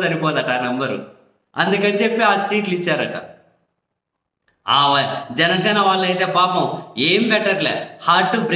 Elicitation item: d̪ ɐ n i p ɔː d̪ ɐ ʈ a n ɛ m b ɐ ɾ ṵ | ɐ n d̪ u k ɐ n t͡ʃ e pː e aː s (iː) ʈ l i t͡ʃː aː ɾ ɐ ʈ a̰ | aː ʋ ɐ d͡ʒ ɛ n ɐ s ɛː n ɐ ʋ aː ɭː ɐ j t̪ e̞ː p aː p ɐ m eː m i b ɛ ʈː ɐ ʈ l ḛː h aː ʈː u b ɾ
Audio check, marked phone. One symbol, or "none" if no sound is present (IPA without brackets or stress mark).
iː